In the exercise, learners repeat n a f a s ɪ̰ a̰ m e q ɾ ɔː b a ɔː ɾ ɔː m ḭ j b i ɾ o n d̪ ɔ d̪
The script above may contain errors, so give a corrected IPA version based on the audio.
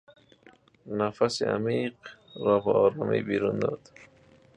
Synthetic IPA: n a f a s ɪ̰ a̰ m i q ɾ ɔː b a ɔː ɾ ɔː m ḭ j b i ɾ u n d̪ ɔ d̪